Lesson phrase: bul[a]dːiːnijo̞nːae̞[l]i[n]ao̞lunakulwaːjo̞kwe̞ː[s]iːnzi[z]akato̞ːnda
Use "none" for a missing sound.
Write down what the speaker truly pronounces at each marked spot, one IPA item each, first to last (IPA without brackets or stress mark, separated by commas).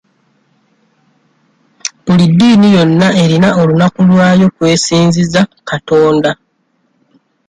i, ɾ, n, s, z